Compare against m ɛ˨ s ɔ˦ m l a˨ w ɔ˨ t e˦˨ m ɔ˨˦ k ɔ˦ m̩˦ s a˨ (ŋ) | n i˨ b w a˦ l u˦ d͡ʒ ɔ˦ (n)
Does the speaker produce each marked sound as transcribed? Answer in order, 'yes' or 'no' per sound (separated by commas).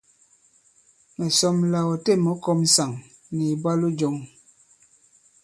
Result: yes, no